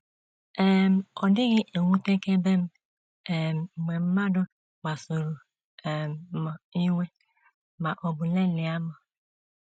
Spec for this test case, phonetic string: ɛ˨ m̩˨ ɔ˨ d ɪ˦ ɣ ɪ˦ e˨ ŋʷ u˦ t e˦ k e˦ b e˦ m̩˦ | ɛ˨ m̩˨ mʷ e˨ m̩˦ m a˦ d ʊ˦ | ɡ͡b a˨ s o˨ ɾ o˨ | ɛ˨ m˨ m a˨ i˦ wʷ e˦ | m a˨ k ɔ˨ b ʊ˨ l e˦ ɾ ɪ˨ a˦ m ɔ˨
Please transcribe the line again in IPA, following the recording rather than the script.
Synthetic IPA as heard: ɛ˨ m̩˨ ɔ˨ d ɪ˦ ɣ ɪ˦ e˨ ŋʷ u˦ t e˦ k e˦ b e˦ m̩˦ | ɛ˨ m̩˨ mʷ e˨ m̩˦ m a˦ d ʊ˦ | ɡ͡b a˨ s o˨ ɾ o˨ | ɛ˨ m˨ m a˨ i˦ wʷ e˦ | m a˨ ʔ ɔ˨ b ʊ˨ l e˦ l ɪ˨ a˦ m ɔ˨